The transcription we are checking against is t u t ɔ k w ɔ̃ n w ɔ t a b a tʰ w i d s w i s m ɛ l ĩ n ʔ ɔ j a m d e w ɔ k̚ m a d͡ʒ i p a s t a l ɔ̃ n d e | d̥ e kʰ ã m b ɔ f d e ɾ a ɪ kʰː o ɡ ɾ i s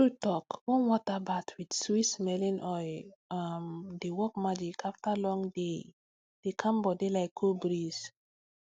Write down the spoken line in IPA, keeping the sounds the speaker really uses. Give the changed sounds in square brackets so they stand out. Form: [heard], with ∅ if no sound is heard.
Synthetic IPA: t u t ɔ k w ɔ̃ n w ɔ t a b a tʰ w i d s w i s m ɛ l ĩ n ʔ ɔ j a m d e w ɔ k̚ m a d͡ʒ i [k] a [f] t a l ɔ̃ [ŋ] d e | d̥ e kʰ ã m b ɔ [∅] d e [l] a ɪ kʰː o [b] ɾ i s